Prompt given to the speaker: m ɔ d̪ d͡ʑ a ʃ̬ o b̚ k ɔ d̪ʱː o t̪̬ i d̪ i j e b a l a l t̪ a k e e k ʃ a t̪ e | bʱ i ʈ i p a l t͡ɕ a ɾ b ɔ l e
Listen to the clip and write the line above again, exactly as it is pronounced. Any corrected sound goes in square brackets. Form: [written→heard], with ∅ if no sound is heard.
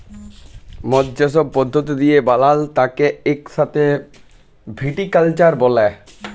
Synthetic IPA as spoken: m ɔ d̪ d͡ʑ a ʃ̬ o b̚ [k→p] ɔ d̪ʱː o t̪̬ i d̪ i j e b a l a l t̪ a k e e k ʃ a t̪ e | bʱ i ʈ i [p→k] a l t͡ɕ a ɾ b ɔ l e